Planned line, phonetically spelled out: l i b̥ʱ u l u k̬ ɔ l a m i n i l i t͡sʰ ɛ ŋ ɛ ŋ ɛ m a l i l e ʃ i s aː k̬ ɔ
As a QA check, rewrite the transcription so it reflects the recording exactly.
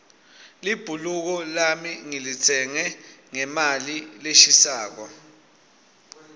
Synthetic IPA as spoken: l i b̥ʱ u l u k̬ ɔ l a m i ŋ i l i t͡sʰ ɛ ŋ ɛ ŋ ɛ m a l i l e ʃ i s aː k̬ ɔ